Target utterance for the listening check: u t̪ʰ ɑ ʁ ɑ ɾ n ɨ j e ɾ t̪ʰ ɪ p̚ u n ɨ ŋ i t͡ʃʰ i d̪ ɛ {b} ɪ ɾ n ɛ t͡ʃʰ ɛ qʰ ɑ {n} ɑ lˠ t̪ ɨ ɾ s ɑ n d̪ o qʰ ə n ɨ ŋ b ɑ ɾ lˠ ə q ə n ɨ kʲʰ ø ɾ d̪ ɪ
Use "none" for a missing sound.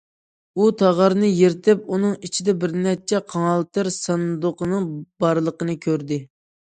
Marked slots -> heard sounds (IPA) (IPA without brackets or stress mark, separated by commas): b, ŋ